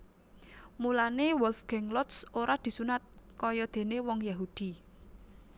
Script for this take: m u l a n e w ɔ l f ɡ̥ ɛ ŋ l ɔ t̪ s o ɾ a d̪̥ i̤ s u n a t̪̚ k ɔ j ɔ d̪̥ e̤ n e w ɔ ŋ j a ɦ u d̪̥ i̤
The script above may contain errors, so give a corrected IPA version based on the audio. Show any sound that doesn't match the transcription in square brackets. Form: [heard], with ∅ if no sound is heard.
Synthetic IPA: m u l a n e w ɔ l f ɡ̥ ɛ ŋ l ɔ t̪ s o ɾ a d̪̥ i̤ s u n a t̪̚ k ɔ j ɔ d̪̥ e̤ n e w ɔ ŋ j a ɦ u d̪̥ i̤